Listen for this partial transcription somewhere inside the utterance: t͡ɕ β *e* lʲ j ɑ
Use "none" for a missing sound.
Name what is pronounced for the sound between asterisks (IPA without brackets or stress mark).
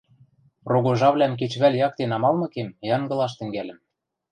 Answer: æ